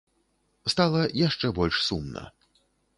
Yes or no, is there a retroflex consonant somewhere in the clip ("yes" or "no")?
yes